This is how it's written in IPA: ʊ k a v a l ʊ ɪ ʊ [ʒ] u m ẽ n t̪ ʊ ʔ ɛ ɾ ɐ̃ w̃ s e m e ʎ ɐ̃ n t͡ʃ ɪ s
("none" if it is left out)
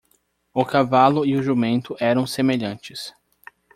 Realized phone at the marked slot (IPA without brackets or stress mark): ʒ